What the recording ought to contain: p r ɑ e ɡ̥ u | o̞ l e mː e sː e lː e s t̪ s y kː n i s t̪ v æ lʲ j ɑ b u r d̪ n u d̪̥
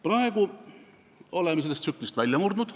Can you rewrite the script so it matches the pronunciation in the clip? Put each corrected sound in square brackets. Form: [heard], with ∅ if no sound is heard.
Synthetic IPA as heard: p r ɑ e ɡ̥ u | o̞ l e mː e [s] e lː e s t̪ s y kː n i s t̪ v æ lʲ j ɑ [m] u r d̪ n u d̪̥